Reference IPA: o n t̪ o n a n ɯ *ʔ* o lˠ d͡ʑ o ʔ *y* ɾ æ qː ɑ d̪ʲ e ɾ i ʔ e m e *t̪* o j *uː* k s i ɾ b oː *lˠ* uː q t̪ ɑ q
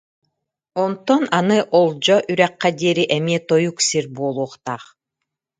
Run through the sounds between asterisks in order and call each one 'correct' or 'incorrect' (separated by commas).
correct, correct, correct, incorrect, correct